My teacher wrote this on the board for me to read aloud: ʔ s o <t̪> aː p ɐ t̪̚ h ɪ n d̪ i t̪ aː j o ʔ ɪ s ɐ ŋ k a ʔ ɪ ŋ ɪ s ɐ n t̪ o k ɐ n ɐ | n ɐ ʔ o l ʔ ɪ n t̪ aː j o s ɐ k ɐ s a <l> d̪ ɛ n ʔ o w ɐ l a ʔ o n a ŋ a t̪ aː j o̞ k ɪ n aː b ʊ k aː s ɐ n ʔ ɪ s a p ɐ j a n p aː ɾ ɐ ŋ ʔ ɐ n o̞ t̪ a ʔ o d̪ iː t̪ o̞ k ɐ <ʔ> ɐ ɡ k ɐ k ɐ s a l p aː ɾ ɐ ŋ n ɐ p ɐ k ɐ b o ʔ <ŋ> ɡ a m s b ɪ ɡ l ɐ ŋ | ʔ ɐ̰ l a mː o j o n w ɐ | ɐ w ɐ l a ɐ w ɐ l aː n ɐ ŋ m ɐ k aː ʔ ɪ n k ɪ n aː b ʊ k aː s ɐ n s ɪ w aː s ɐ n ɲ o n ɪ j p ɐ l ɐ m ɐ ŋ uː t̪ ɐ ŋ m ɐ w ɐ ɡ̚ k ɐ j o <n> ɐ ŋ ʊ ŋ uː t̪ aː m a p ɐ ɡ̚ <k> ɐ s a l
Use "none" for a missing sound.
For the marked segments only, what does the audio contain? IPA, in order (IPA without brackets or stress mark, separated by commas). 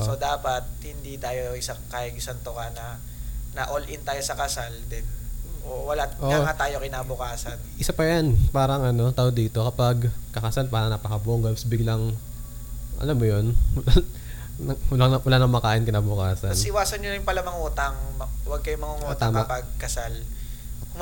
d̪, l, p, ŋ, m, k